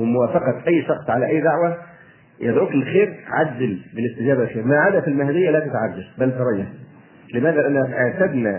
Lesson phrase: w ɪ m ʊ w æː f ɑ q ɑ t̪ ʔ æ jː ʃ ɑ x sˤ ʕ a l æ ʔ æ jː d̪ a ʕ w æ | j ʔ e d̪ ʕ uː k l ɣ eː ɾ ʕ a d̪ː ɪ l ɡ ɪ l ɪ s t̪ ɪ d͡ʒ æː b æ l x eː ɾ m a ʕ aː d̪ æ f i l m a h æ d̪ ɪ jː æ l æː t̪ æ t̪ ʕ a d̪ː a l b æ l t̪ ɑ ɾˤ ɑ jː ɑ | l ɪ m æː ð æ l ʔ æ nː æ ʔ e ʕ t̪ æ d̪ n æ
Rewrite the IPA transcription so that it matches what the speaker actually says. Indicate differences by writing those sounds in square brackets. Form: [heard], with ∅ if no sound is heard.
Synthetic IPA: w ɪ m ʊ w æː f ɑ q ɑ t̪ ʔ æ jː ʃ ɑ x sˤ ʕ a l æ ʔ æ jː d̪ a ʕ w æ | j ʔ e d̪ ʕ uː k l [x] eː ɾ ʕ a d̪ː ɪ l [b] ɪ l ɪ s t̪ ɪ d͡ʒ æː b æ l x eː ɾ m a ʕ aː d̪ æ f i l m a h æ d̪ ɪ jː æ l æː t̪ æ t̪ ʕ a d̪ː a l b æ l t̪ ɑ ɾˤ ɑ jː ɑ | l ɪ m æː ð æ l ʔ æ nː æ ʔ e ʕ t̪ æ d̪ n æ